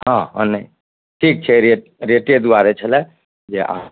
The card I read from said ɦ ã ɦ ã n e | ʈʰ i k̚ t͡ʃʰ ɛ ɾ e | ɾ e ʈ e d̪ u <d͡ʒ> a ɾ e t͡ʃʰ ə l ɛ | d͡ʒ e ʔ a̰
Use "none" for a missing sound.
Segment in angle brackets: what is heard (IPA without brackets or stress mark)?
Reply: none